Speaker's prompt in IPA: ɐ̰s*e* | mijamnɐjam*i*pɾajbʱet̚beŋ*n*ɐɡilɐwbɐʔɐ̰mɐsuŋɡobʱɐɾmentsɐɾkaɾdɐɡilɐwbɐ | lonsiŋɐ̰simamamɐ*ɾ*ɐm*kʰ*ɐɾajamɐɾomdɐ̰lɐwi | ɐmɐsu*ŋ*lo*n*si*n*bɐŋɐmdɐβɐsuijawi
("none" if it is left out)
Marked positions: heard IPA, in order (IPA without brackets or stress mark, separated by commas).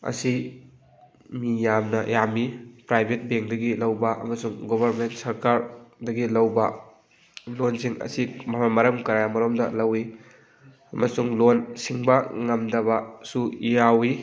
i, i, d, ɾ, k, ŋ, n, ŋ